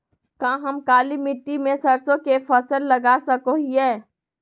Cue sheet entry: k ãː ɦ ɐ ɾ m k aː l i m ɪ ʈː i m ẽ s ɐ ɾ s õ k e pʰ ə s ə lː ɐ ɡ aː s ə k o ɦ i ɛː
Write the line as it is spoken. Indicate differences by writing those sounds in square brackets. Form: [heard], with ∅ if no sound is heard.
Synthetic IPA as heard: k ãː ɦ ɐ [∅] m k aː l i m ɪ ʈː i m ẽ s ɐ ɾ s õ k e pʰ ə s ə lː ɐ ɡ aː s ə k o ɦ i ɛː